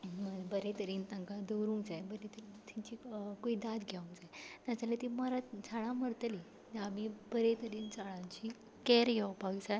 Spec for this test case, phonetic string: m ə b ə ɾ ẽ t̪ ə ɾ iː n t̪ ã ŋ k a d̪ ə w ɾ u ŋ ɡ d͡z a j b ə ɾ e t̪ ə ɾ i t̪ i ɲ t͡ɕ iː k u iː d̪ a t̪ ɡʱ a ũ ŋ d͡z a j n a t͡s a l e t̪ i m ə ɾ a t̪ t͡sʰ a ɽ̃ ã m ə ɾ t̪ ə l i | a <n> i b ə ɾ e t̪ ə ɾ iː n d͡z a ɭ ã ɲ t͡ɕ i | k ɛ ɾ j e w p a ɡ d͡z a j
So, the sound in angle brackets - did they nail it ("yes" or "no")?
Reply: no